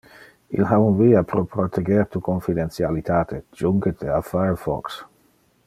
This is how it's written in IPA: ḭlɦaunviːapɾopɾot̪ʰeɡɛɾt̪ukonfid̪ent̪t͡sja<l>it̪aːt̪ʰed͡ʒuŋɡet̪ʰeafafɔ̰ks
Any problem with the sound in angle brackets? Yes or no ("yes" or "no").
no